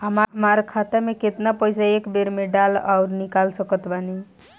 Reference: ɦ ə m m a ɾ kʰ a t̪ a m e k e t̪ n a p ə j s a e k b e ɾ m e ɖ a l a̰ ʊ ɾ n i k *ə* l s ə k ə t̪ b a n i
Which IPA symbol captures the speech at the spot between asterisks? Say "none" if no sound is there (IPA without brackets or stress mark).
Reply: a